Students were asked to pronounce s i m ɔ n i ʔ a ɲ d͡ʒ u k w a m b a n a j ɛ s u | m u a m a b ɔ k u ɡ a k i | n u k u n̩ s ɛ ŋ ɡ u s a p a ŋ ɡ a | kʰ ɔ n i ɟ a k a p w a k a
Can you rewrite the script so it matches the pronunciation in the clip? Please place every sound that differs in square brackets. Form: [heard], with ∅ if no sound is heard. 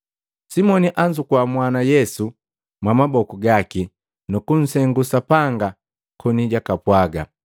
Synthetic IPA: s i m ɔ n i ʔ a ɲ d͡ʒ u k w a m [w] a n a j ɛ s u | m [w] a m a b ɔ k u ɡ a k i | n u k u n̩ s ɛ ŋ ɡ u s a p a ŋ ɡ a | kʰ ɔ n i ɟ a k a p w a [ɡ] a